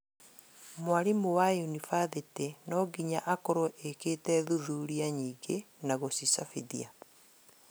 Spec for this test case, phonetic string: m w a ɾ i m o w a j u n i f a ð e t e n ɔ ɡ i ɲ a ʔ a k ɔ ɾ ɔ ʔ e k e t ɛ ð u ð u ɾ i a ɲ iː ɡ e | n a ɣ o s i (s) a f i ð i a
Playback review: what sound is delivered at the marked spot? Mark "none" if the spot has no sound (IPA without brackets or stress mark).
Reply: s